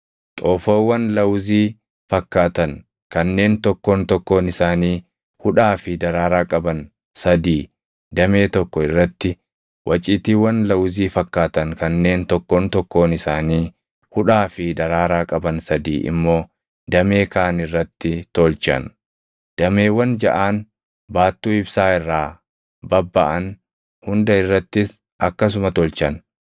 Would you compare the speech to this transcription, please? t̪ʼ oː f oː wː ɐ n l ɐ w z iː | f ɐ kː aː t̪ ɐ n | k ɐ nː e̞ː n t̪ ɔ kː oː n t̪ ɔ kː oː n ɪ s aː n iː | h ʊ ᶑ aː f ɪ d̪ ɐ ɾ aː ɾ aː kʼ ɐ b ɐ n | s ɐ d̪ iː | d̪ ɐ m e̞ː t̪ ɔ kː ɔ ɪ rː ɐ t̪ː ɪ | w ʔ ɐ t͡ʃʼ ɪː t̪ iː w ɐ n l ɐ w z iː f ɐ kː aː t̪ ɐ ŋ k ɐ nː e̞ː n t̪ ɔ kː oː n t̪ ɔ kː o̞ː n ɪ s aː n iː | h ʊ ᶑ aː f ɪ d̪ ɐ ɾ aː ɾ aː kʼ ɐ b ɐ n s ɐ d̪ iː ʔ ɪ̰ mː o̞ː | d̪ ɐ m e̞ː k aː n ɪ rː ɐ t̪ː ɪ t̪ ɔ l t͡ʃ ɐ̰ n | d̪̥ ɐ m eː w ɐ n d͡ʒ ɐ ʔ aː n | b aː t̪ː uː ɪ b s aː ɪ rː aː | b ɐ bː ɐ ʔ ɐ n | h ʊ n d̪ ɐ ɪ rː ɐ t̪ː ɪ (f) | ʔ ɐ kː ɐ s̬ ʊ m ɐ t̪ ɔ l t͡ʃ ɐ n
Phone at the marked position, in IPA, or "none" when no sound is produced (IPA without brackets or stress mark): s